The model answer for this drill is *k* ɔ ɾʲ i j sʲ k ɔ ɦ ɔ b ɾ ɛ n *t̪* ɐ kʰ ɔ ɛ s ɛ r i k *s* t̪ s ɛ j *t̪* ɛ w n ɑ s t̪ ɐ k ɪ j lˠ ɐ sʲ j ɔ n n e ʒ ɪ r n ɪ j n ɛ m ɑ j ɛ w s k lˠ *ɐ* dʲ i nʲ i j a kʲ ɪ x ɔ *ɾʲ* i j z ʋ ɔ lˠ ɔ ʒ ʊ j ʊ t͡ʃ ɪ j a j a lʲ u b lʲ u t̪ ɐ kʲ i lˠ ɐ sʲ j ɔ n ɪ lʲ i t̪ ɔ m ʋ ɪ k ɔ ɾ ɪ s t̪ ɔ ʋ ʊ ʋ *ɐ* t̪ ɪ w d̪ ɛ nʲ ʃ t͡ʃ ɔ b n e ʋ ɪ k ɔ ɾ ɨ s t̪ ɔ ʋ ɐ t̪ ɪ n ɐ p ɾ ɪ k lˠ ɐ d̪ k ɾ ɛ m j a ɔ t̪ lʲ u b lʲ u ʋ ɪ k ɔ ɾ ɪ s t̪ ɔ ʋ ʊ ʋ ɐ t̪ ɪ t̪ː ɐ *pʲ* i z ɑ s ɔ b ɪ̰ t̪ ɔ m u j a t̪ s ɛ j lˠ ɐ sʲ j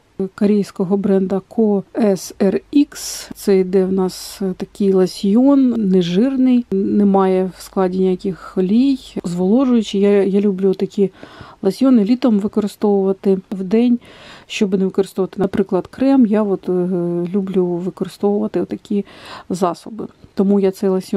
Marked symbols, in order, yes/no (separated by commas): yes, no, yes, no, no, no, yes, no